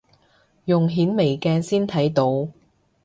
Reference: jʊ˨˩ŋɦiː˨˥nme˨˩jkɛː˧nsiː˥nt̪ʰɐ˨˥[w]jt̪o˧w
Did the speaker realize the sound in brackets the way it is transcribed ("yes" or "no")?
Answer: no